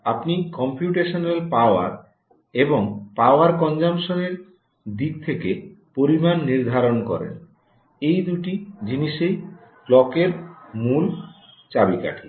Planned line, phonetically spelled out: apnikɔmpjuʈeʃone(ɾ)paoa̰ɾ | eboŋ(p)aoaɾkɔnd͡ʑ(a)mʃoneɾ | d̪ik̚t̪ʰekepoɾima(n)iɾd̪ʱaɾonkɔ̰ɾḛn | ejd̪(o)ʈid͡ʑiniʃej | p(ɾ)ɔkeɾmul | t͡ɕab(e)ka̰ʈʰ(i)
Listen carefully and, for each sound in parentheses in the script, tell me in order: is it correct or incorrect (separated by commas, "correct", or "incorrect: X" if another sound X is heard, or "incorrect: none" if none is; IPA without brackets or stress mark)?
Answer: incorrect: l, correct, correct, incorrect: nː, incorrect: u, incorrect: l, incorrect: i, correct